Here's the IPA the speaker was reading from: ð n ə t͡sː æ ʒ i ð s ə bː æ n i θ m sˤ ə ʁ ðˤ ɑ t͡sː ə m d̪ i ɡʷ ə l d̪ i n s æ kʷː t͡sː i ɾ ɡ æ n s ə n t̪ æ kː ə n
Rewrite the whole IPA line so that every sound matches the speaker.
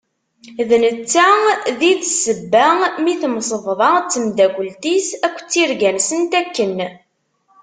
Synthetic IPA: ð n ə t͡sː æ ð i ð s ə bː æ m i θ m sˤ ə v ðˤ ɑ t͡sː ə m d̪ æ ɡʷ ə l t̪ i s æ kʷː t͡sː i ɾ ɡ æ n s ə n t̪ æ kː ə n

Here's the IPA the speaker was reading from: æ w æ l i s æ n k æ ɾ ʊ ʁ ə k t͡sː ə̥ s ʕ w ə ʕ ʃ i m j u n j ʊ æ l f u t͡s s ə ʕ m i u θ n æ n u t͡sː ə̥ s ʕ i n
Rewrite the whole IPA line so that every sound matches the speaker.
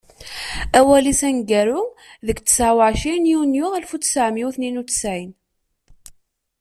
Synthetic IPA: æ w æ l i s æ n ɡ æ ɾ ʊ ð ə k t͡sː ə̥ s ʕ w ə ʕ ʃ i n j u n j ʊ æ l f u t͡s s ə ʕ m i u θ n i n u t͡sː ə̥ s ʕ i n

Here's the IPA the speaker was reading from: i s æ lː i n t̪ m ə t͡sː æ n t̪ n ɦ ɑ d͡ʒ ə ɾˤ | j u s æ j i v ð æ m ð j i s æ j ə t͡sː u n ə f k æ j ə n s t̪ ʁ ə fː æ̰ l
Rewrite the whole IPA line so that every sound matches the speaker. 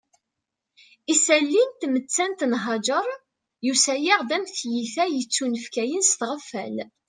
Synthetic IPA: i s æ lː i n t̪ m ə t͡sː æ n t̪ n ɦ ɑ d͡ʒ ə ɾˤ | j u s æ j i ʁ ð æ m θ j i θ æ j ə t͡sː u n ə f k æ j ə n s t̪ ʁ ə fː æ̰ l

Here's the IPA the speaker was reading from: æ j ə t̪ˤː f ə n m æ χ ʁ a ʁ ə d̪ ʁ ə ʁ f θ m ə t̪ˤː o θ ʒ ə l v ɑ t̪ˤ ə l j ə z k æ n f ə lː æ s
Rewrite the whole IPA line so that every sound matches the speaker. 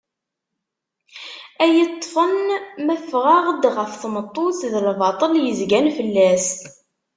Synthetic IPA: æ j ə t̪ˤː f ə n m æ f ʁ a ʁ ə d̪ ʁ ə f θ m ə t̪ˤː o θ ð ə l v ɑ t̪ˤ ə l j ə z ɡ æ n f ə lː æ s

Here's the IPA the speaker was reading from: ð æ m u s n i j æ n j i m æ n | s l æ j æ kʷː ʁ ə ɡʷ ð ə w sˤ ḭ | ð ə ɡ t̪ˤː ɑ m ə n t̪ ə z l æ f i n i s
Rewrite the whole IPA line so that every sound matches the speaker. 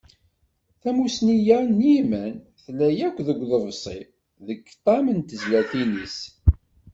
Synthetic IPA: θ æ m u s n i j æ n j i m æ n | θ l æ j æ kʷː ð ə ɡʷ ð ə v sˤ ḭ | ð ə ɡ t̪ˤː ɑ m ə n t̪ ə z l æ θ i n i s

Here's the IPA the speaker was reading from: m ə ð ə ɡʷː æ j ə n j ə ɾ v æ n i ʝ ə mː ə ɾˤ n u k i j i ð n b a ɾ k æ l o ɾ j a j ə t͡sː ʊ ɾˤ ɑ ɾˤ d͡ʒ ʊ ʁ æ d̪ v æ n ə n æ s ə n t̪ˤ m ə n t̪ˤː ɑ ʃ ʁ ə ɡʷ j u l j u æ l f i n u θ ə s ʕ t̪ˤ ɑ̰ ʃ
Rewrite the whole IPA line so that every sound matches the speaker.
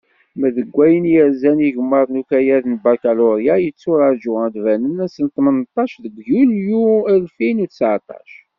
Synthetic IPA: m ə ð ə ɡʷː æ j ə n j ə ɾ z æ n i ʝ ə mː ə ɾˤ n u k æ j æ ð n b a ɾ k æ l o ɾ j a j ə t͡sː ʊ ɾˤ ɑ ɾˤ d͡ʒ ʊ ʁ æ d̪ v æ n ə n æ s ə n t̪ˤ m ə n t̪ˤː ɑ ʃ ð ə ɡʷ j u l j u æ l f i n u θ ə s ʕ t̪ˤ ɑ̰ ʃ

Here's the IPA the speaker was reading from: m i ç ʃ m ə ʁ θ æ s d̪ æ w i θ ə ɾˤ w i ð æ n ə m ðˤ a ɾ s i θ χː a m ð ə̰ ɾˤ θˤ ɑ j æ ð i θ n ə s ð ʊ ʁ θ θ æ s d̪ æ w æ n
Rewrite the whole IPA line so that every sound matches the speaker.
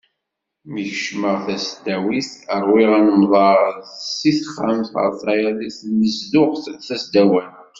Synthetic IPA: m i ç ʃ m ə ʁ θ æ s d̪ æ w i θ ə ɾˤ w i ʁ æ n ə m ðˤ ɑ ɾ s i θ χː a m θ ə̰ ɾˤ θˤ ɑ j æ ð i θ n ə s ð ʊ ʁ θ θ æ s d̪ æ w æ n

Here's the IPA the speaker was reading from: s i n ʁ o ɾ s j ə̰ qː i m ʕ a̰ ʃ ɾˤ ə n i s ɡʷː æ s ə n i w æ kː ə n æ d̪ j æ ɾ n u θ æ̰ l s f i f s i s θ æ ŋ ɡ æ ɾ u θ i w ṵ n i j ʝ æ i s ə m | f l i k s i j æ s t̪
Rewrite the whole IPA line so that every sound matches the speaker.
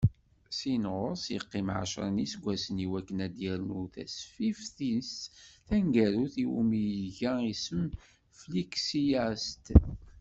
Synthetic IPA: s i n ʁ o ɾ s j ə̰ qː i m ʕ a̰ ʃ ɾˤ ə n i s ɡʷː æ s ə n i w æ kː ə n æ d̪ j æ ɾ n u θ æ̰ s f i f θ i s θ æ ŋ ɡ æ ɾ u θ i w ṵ m i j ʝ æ i s ə m | f l i k s i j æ s t̪

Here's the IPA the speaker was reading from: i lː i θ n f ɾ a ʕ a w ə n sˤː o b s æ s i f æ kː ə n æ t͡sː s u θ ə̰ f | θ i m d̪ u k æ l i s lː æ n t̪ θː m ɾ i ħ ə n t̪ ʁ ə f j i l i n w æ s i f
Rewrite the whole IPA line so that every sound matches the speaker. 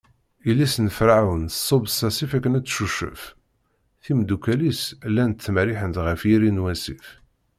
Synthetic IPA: i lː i s n f ɾ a ʕ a w ə n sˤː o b s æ s i f æ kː ə n æ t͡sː ʃ u ʃ ə̰ f | θ i m d̪ u k æ l i s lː æ n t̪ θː m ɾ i ħ ə n t̪ ʁ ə f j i ɾ i n w æ s i f

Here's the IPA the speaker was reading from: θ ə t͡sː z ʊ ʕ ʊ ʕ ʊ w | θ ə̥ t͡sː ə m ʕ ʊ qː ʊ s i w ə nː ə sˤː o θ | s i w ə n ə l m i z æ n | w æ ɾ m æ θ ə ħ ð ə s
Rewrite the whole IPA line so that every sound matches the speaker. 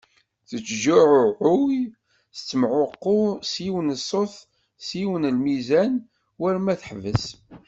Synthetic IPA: θ ə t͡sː ʒ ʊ ʕ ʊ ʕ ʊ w | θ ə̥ t͡sː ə m ʕ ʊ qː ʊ s i w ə n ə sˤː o θ | s i w ə n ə l m i z æ n | w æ ɾ m æ θ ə ħ v ə s

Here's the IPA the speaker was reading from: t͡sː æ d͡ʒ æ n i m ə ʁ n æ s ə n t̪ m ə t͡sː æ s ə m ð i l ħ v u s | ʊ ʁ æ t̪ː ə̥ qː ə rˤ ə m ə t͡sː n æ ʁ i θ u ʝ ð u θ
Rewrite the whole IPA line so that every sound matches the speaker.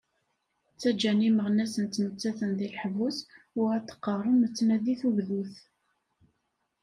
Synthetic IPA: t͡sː æ d͡ʒ æ n i m ə ʁ n æ s ə n t̪ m ə t͡sː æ θ ə n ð i l ħ v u s | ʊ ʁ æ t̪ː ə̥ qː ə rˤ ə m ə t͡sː n æ ð i θ u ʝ ð u θ

